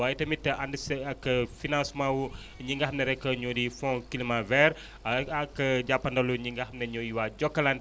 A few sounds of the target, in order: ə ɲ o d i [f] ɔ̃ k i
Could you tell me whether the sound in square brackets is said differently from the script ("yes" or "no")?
no